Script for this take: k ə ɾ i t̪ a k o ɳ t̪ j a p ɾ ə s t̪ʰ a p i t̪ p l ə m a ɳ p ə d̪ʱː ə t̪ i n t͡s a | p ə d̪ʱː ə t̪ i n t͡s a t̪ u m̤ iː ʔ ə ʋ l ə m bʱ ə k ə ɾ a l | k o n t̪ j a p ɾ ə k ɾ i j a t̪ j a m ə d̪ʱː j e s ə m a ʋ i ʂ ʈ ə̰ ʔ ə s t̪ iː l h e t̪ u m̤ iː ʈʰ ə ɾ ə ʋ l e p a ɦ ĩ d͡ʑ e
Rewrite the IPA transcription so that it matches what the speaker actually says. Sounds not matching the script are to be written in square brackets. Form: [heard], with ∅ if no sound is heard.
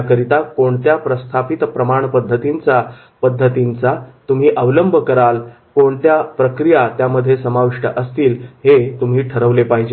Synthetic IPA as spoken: k ə ɾ i t̪ a k o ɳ t̪ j a p ɾ ə s t̪ʰ a p i t̪ p [ɾ] ə m a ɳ p ə d̪ʱː ə t̪ i n t͡s a | p ə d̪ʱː ə t̪ i n t͡s a t̪ u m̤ iː ʔ ə ʋ l ə m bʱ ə k ə ɾ a l | k o [ɳ] t̪ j a p ɾ ə k ɾ i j a t̪ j a m ə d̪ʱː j e s ə m a ʋ i ʂ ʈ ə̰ ʔ ə s t̪ iː l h e t̪ u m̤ iː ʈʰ ə ɾ ə ʋ l e p a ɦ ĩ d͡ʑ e